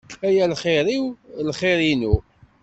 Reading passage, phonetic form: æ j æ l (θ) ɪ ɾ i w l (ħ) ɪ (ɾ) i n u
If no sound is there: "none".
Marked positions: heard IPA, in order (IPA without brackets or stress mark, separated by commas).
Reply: χ, χ, ɾ